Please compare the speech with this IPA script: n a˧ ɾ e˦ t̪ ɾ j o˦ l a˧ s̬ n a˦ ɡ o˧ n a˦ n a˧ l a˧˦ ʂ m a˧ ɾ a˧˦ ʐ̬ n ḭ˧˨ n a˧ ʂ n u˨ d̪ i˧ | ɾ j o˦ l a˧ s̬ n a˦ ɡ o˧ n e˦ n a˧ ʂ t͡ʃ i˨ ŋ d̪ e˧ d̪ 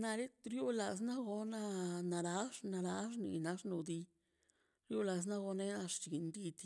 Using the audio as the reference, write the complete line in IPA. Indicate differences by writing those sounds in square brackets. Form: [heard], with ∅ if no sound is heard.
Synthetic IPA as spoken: n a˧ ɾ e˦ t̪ ɾ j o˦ l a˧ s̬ n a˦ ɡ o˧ n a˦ n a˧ [ɾ] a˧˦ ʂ [n] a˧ ɾ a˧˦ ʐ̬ n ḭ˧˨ n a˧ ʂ n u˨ d̪ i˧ | ɾ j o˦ l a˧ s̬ n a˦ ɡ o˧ n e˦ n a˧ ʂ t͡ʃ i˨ [n] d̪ [i˧] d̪